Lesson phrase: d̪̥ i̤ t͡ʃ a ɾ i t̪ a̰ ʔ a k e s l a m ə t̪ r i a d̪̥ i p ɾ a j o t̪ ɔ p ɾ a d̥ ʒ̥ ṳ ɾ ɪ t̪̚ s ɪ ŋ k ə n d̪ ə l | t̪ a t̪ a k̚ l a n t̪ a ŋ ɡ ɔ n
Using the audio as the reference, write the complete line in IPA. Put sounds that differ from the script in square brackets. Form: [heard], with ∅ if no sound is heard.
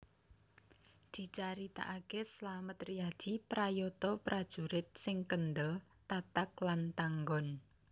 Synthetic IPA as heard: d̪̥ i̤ t͡ʃ a ɾ i t̪ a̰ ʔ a k e s l a m ə t̪ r i a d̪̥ i p ɾ a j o t̪ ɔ p ɾ a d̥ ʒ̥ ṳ ɾ ɪ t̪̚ s ɪ ŋ k ə n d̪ ə l | t̪ a t̪ a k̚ l a n t̪ a ŋ ɡ ɔ n